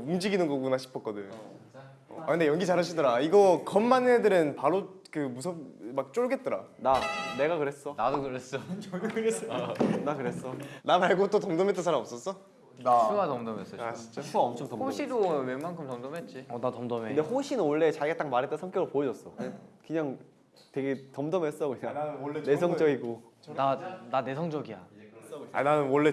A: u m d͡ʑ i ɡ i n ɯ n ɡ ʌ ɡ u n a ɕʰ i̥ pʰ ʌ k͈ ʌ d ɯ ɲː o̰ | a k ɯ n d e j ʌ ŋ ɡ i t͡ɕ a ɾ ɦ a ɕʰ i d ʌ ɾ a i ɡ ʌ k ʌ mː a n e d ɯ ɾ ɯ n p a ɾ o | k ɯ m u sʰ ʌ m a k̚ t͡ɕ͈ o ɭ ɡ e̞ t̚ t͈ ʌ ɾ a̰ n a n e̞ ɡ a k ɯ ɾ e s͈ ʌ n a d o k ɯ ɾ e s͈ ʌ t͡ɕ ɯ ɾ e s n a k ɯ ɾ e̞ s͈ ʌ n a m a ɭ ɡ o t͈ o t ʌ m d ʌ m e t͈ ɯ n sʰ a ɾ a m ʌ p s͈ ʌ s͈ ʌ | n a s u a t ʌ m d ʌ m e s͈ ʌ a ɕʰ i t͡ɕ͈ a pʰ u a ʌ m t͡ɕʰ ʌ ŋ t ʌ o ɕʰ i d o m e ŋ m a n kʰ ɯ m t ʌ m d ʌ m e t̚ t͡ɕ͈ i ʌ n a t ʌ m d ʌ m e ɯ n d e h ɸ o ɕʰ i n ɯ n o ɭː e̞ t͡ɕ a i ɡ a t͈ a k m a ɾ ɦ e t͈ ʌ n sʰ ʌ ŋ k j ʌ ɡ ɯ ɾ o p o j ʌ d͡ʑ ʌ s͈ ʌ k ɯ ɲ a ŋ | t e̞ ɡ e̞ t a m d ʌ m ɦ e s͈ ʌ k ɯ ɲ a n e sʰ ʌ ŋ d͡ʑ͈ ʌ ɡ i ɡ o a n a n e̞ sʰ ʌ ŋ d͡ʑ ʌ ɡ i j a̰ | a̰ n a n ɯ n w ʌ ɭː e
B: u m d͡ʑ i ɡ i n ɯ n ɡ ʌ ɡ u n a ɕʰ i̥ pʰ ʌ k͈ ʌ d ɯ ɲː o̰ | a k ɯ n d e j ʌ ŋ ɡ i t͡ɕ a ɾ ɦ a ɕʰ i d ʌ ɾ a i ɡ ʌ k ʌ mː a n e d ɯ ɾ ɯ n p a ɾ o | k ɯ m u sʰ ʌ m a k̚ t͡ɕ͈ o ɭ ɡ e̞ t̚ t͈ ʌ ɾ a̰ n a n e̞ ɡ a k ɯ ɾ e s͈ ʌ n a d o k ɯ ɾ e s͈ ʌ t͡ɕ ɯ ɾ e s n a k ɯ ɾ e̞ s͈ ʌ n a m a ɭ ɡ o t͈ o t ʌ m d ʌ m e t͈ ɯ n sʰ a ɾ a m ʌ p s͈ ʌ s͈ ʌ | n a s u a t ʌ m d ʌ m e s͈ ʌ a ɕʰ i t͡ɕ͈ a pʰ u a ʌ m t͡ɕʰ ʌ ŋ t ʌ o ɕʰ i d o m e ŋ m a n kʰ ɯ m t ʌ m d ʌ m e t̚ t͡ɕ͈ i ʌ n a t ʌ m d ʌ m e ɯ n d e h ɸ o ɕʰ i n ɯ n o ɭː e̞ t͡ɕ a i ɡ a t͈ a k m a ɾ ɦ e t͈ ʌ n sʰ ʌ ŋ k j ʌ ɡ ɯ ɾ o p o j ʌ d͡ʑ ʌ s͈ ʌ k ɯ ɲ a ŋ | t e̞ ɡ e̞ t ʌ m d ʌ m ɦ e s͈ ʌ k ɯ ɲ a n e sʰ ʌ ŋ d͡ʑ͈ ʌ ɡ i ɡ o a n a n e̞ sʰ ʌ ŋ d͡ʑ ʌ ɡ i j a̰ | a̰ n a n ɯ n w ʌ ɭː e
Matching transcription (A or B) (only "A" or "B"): B